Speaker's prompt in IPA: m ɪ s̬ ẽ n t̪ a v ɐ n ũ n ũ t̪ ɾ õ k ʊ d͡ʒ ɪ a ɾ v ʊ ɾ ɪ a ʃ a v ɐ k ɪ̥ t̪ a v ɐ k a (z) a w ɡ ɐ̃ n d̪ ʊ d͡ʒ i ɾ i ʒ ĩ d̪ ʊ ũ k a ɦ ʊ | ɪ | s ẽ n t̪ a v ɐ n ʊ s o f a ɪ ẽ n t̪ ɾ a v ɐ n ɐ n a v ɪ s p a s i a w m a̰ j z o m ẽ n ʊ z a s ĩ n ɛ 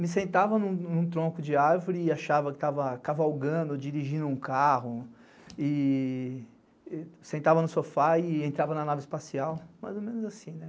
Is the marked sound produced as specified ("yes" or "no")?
no